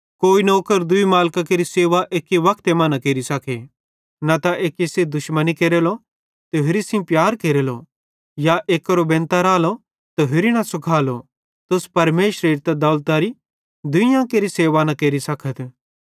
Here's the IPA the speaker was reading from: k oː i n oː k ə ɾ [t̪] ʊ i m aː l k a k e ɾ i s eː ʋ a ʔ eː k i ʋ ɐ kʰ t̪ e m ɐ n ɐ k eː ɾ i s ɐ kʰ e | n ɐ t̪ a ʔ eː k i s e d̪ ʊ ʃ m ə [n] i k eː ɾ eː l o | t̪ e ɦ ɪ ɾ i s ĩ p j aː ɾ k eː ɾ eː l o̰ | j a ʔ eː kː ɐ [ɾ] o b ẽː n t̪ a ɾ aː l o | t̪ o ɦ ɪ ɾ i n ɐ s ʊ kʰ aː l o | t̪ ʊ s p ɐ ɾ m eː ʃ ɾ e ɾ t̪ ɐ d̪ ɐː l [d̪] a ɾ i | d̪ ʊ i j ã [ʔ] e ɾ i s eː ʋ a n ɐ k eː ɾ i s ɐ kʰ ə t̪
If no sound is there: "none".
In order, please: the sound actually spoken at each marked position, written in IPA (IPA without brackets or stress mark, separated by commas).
d̪, n, ɾ, t̪, k